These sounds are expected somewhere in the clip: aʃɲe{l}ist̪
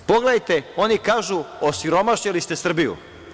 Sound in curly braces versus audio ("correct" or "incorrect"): correct